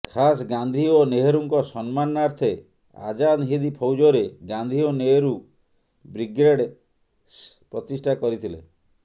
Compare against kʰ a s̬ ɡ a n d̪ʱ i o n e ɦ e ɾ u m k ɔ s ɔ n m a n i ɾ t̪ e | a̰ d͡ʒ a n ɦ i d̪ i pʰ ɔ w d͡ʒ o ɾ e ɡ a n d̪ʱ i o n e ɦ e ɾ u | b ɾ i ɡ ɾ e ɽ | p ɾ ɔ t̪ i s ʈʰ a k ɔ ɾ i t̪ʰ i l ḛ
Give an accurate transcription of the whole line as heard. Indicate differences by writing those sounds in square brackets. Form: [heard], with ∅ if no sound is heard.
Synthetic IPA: kʰ a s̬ ɡ a n d̪ʱ i o n e ɦ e ɾ u [ŋ] k ɔ s ɔ n m a n [a] ɾ [t̪ʰ] e | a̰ d͡ʒ a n ɦ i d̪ i pʰ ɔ w d͡ʒ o ɾ e ɡ a n d̪ʱ i o n e ɦ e ɾ u | b ɾ i ɡ ɾ e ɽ | p ɾ ɔ t̪ i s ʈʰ a k ɔ ɾ i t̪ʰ i l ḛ